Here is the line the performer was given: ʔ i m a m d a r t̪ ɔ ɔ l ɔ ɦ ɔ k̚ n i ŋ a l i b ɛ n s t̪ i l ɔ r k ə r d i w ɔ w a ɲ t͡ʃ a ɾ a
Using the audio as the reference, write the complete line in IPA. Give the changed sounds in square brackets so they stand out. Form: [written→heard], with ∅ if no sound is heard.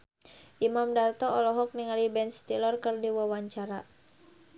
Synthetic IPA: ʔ i m a m d a r t̪ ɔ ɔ l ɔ ɦ ɔ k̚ n i ŋ a l i b ɛ n s t̪ i l ɔ r k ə r d i w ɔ w a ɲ t͡ʃ a ɾ a

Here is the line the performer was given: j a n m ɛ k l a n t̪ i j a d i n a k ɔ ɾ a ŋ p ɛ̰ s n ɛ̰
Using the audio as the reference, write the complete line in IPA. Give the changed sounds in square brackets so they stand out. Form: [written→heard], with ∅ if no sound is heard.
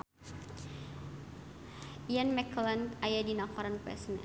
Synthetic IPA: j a n m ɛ k l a n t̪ [i→a] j a d i n a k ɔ ɾ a [ŋ→n] p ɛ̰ s n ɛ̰

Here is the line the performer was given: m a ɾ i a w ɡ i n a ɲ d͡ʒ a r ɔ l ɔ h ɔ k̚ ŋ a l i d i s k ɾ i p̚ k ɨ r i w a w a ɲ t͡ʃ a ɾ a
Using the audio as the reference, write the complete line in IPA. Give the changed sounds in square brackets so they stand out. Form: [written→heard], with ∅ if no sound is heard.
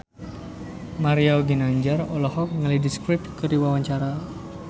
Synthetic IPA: m a ɾ i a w ɡ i n a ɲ d͡ʒ a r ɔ l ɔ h ɔ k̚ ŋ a l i d i s k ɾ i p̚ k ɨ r i w a w a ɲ t͡ʃ a ɾ a

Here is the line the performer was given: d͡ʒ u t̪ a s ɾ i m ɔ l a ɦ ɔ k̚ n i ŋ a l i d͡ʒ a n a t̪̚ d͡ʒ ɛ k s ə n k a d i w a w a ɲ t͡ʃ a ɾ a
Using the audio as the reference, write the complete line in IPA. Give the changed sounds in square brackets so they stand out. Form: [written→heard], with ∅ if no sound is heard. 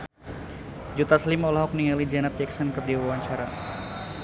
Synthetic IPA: d͡ʒ u t̪ a s [ɾ→l] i m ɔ l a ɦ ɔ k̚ n i ŋ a l i d͡ʒ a n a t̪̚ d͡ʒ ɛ k s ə n k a d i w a w a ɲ t͡ʃ a ɾ a

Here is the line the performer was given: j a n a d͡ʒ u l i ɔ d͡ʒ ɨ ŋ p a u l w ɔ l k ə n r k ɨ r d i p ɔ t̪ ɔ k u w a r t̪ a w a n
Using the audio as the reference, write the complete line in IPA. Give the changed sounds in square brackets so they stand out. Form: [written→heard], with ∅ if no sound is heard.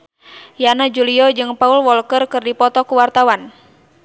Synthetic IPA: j a n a d͡ʒ u l i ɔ d͡ʒ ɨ ŋ p a u l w ɔ l k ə [n→∅] r k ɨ r d i p ɔ t̪ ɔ k u w a r t̪ a w a n

